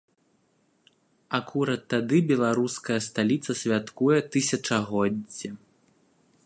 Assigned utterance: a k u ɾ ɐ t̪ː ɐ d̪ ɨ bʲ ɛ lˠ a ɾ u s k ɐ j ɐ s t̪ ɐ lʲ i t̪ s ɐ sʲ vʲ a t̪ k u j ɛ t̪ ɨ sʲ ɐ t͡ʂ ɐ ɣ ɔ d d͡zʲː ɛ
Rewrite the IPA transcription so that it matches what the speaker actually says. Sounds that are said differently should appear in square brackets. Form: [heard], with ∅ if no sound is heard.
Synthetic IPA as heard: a k u ɾ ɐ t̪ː [a] d̪ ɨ bʲ ɛ lˠ a ɾ u s k ɐ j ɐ s t̪ [a] lʲ i t̪ s ɐ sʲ vʲ a t̪ k u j ɛ t̪ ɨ sʲ ɐ t͡ʂ ɐ ɣ ɔ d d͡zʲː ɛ